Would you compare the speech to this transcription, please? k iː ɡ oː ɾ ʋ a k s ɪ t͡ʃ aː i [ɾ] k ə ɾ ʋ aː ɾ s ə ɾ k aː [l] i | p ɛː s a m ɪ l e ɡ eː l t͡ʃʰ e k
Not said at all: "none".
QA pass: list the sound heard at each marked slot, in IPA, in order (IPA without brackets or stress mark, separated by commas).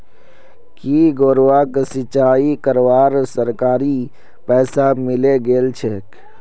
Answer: none, ɾ